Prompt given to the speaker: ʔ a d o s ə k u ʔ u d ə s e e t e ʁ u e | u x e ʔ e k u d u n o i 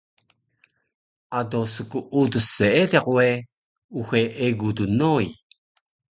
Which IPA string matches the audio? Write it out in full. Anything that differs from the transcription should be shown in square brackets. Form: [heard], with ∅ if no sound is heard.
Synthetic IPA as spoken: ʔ a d o s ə k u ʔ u d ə s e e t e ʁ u e | u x e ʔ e [ɡ] u d u n o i